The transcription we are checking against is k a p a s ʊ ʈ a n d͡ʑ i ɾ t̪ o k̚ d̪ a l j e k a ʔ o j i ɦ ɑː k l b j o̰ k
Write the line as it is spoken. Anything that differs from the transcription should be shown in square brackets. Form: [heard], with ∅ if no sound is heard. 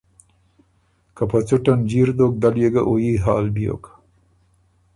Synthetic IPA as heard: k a p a [t͡s] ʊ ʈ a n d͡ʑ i ɾ [d̪] o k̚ d̪ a l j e [ɡ] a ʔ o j i ɦ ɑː [∅] l b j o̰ k